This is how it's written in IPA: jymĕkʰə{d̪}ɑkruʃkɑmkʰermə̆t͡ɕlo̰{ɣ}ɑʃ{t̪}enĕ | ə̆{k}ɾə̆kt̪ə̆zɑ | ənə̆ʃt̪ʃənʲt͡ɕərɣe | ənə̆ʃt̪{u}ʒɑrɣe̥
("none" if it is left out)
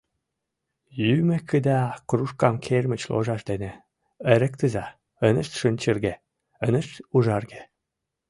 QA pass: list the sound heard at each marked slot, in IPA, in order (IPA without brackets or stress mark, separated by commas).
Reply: d̪, ʒ, d̪, none, u